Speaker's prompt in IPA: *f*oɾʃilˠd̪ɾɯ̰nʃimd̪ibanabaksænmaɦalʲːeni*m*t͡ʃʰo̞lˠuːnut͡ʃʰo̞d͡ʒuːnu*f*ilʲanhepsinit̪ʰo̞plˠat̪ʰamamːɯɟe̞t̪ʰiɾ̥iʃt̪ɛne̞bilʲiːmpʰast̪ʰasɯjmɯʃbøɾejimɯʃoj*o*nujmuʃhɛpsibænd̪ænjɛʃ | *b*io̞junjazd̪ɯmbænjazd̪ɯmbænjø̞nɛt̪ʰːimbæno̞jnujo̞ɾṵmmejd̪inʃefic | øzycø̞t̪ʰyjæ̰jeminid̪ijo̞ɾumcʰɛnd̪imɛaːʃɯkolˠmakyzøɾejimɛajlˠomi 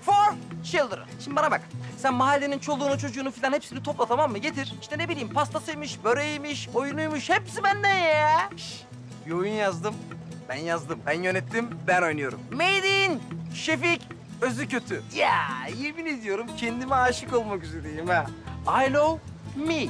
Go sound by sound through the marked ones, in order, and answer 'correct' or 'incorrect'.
correct, incorrect: n, correct, incorrect: u, correct

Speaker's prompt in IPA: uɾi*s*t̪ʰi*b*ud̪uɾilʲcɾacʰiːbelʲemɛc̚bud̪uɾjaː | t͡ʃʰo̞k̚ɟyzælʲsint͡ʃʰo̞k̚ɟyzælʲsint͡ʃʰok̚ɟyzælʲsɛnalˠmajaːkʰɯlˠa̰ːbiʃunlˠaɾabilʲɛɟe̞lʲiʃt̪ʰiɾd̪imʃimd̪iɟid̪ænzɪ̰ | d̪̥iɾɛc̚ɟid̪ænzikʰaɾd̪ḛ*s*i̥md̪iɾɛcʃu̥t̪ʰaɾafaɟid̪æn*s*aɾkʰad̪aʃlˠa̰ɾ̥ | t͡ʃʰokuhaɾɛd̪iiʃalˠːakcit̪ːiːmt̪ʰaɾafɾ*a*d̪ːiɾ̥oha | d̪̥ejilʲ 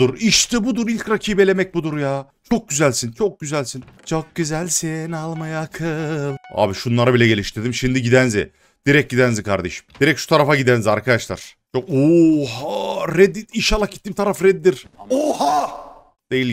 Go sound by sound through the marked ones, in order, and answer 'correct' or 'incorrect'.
incorrect: ʃ, correct, incorrect: ʃ, incorrect: z, incorrect: ɛ

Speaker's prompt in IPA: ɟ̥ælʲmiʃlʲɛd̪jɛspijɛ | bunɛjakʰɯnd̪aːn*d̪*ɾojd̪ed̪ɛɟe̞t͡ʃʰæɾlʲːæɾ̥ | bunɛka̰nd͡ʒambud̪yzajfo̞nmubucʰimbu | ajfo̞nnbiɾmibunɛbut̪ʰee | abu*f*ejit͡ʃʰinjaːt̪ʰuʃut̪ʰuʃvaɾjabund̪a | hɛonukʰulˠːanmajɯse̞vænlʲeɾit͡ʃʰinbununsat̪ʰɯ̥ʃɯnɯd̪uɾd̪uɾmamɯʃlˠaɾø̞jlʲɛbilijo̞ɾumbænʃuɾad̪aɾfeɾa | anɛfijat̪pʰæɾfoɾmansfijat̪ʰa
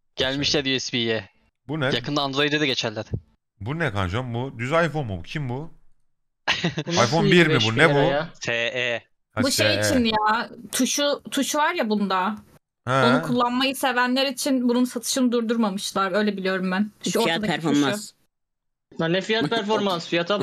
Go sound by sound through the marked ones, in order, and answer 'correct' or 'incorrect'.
correct, incorrect: ʃ

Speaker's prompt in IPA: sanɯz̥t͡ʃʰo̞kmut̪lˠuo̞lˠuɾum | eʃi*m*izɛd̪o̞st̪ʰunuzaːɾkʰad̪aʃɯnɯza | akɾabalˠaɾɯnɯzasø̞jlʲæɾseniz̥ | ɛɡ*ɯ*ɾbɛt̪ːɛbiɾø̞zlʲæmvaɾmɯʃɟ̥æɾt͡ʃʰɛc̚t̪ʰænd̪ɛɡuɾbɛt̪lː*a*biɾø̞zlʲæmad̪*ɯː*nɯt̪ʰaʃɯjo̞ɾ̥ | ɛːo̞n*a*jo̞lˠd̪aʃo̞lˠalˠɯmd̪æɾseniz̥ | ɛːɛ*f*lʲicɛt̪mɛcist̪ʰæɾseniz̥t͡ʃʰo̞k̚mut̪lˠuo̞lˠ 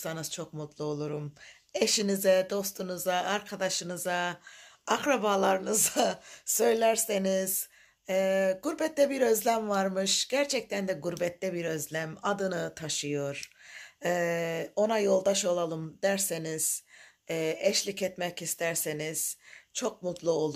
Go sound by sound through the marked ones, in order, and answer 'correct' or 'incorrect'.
incorrect: n, incorrect: u, incorrect: ɛ, incorrect: ɯ, correct, incorrect: ʃ

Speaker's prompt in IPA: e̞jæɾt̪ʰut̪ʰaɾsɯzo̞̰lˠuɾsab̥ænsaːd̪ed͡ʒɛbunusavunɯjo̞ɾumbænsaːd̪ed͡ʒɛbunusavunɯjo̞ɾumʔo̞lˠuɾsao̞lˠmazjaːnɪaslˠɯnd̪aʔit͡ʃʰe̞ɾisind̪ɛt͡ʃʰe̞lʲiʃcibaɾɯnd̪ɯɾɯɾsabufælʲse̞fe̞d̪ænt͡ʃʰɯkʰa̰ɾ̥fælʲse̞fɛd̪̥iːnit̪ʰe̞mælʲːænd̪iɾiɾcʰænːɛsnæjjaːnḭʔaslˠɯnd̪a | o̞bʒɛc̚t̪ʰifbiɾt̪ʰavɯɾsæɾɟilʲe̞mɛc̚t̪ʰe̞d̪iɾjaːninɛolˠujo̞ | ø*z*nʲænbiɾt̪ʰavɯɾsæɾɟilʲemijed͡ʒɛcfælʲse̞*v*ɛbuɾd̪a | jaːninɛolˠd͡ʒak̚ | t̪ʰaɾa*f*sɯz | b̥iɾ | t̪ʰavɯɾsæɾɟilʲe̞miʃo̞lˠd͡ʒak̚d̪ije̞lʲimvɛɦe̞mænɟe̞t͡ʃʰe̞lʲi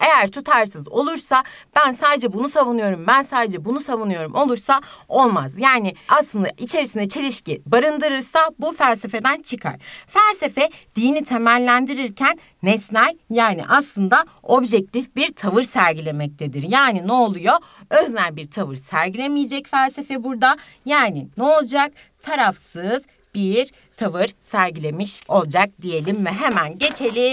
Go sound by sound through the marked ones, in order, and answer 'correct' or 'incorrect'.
correct, incorrect: f, correct

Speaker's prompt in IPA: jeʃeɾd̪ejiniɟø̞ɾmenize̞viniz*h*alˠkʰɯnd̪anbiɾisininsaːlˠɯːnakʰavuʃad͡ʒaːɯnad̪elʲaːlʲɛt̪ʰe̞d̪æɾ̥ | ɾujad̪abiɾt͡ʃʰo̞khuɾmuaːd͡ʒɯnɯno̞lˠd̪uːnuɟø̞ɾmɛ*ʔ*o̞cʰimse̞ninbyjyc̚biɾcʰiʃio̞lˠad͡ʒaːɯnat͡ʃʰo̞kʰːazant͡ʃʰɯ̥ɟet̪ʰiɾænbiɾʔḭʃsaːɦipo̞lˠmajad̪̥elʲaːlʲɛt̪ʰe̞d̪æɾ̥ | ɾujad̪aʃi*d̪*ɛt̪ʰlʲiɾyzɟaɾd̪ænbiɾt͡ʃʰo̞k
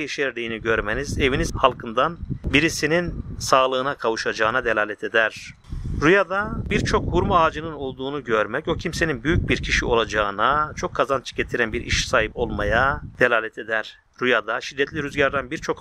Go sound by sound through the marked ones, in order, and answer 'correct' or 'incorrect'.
correct, incorrect: c, incorrect: d̪ː

